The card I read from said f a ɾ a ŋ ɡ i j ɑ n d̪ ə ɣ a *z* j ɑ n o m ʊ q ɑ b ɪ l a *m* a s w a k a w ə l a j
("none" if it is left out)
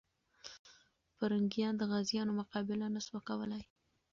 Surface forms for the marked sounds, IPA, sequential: z, n

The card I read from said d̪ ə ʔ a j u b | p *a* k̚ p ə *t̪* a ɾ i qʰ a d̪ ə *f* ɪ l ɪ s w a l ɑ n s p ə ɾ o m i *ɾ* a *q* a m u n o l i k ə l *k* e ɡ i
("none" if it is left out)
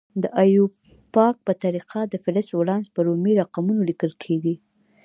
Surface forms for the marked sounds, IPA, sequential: ɑ, t̪, f, ɾ, q, kʰ

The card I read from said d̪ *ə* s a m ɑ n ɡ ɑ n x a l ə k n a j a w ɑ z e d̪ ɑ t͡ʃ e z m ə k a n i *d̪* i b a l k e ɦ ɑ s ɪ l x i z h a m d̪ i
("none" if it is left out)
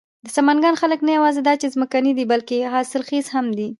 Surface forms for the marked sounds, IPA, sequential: ə, d̪

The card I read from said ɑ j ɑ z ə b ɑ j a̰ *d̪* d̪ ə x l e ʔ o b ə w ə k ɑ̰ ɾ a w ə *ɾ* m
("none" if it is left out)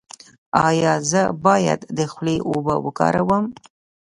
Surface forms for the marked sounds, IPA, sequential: d̪, none

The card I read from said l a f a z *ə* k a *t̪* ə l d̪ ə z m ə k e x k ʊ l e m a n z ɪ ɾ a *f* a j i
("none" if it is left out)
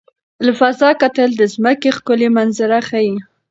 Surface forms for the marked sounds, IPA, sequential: ɑ, t̪, x

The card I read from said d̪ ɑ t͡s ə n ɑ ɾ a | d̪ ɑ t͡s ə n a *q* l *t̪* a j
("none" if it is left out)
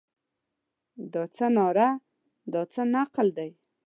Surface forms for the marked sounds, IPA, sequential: q, d̪

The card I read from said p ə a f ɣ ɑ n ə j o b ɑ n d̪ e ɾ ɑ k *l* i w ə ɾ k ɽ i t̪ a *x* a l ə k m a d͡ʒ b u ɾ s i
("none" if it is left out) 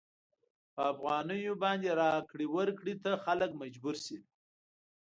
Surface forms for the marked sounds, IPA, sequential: ɽ, x

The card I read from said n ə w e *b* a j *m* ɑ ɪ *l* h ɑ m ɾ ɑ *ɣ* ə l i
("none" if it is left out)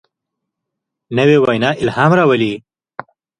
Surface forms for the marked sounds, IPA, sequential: w, n, l, w

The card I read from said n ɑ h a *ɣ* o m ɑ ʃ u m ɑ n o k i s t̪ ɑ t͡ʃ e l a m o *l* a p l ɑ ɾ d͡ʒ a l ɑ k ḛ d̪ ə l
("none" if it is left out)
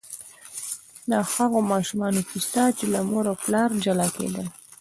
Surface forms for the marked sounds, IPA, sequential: ɣ, ɾ

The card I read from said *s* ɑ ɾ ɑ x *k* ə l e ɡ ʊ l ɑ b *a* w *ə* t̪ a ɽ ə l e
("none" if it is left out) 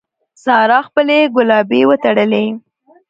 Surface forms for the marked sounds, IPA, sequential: s, p, e, ə

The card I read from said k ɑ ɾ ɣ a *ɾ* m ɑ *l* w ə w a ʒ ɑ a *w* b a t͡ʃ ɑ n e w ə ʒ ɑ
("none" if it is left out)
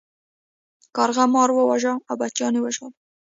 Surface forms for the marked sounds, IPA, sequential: none, ɾ, w

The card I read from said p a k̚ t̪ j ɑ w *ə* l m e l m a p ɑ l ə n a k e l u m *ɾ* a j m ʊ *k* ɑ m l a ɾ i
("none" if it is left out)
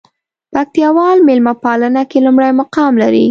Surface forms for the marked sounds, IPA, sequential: ɑ, ɽ, q

